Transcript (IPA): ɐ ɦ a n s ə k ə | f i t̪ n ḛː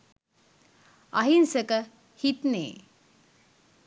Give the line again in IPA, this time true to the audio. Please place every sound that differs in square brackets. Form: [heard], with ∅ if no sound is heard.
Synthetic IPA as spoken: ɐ ɦ [i] n s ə k ə | [h] i t̪ n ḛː